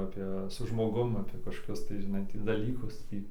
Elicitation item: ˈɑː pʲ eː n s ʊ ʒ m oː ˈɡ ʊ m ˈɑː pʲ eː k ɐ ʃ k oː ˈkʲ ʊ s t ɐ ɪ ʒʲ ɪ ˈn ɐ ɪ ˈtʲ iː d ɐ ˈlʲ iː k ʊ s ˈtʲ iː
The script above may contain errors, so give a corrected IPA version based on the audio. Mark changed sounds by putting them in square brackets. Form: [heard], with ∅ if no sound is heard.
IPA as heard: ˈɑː pʲ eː [∅] s ʊ ʒ m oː ˈɡ ʊ m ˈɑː pʲ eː k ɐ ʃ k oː ˈkʲ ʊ s t ɐ ɪ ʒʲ ɪ ˈn ɐ ɪ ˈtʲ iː d ɐ ˈlʲ iː k ʊ s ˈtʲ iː